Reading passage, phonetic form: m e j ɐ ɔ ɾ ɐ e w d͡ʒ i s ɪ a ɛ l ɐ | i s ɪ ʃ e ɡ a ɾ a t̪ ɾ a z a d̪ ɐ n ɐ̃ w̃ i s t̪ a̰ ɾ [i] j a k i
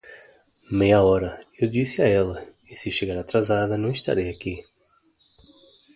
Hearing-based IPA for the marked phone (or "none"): e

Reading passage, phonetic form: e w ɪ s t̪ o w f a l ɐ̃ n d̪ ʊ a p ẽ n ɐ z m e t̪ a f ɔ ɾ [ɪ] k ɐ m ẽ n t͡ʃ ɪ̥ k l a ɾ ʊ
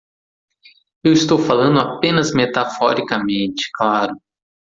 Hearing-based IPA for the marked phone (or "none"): i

